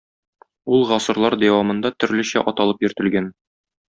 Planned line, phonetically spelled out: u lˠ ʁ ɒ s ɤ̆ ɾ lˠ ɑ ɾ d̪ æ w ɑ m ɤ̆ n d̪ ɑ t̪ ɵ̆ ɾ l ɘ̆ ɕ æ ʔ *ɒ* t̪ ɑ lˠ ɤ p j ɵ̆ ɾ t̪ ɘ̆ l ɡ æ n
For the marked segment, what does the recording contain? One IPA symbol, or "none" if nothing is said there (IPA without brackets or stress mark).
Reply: ɒ